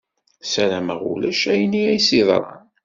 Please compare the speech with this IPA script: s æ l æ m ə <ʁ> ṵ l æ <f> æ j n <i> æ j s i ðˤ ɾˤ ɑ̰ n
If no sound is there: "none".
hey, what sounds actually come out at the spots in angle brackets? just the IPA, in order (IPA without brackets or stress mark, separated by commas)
ʁ, ʃ, i